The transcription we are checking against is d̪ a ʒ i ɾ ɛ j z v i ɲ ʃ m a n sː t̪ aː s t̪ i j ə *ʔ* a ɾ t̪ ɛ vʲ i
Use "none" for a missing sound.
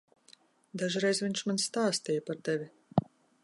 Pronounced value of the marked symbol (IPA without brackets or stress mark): p